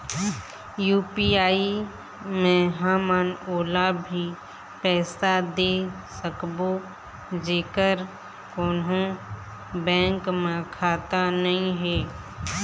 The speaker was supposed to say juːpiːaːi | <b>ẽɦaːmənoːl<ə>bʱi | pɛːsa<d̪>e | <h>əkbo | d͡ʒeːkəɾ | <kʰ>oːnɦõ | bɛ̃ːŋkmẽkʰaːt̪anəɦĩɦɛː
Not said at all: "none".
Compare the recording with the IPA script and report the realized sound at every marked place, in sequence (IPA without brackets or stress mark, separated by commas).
m, a, d̪, s, k